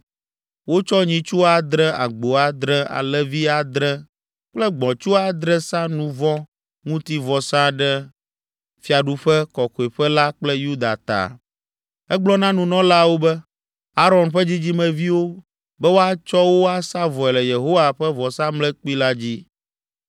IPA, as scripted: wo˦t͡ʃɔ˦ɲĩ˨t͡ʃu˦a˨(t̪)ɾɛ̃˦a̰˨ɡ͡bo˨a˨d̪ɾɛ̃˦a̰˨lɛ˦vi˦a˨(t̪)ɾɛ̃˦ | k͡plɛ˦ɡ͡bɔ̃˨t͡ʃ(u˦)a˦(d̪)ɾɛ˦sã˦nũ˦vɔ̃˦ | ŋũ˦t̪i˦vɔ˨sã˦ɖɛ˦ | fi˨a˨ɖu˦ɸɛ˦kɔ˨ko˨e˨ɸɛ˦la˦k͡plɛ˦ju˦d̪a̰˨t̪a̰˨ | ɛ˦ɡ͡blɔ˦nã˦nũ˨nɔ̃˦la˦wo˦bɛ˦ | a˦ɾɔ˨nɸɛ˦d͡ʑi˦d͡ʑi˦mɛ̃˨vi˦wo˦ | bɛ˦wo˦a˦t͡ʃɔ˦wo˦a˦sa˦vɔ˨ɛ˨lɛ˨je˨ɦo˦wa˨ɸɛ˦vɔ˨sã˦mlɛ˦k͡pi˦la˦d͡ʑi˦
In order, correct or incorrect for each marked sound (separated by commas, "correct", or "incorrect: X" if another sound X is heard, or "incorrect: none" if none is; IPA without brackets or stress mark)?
incorrect: d̪, incorrect: d̪, correct, correct